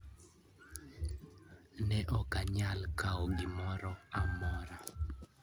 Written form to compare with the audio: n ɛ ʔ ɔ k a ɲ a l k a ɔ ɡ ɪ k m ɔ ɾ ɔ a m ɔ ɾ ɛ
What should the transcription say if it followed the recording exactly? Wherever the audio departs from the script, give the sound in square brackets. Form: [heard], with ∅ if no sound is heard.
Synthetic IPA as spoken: n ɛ ʔ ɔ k a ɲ a l k a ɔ ɡ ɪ [∅] m ɔ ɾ ɔ a m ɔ ɾ [a]